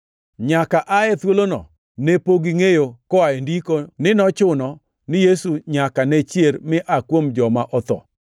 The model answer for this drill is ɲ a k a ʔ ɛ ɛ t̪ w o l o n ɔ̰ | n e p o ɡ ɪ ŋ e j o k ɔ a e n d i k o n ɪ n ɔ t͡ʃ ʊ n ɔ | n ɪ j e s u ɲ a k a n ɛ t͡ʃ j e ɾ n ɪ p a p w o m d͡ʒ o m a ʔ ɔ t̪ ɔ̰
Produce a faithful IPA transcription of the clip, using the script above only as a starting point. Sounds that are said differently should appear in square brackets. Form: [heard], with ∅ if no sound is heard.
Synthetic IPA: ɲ a k a ʔ [a] ɛ t̪ w o l o n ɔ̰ | n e p o ɡ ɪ ŋ e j o k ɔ a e n d i k o n ɪ n ɔ t͡ʃ ʊ n ɔ | n ɪ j e s u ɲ a k a n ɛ t͡ʃ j e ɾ [m] ɪ [ʔ] a [k] w o m d͡ʒ [ɔ] m a ʔ ɔ t̪ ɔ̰